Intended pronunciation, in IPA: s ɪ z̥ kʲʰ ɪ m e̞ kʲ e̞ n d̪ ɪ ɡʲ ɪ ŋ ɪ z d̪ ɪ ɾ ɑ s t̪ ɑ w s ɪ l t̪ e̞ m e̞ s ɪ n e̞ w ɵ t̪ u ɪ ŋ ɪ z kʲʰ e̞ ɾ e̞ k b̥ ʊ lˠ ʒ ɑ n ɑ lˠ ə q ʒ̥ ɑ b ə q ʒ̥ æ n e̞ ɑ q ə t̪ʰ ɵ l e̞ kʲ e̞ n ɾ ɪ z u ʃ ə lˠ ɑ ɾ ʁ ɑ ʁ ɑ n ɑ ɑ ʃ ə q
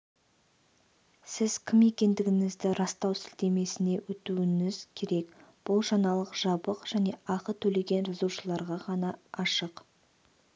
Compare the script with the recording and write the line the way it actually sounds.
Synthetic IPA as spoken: s ɪ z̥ kʲʰ ɪ m e̞ kʲ e̞ n d̪ ɪ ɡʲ ɪ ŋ ɪ z d̪ ɪ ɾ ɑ s t̪ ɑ w s ɪ l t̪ e̞ m e̞ s ɪ n e̞ w ɵ t̪ u ɪ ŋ ɪ z kʲʰ e̞ ɾ e̞ k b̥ ʊ lˠ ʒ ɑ n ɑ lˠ ə q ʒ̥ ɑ b ə q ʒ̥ æ n e̞ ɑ q ə t̪ʰ ɵ l e̞ ɡʲ e̞ n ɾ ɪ z u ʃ ə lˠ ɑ ɾ ʁ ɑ ʁ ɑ n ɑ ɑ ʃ ə q